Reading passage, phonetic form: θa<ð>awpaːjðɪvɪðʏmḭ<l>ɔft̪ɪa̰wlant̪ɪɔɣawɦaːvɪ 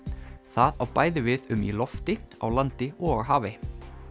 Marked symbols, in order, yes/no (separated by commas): yes, yes